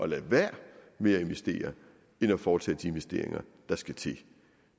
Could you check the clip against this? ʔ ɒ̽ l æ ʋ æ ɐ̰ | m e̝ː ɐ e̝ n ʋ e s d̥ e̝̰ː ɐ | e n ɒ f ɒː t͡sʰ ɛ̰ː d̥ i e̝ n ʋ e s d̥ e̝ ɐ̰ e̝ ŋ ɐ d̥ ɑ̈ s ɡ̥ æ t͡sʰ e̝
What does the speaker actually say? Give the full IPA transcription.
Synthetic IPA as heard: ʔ ɒ̽ l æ ʋ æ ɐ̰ | m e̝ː ɐ e̝ n ʋ e s d̥ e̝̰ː ɐ | e n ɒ f ɒː t͡sʰ ɛ̰ː d̥ i e̝ n ʋ e s d̥ e̝ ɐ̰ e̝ ŋ ɐ d̥ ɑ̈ s ɡ̥ æ t͡sʰ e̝